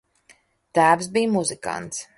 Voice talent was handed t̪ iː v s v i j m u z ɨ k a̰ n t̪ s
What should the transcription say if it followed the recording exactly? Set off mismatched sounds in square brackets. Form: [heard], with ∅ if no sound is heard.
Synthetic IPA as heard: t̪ [æː] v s [b] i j m u z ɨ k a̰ n t̪ s